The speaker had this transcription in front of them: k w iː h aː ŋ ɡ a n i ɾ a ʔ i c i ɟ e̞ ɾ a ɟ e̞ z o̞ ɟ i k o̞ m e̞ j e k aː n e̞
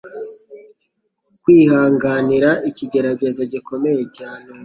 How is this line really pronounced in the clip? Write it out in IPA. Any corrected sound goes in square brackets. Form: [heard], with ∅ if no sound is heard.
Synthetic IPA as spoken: k w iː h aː ŋ ɡ a n i ɾ a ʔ i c i ɟ e̞ ɾ a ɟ e̞ z o̞ ɟ i k o̞ m e̞ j e [c] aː n e̞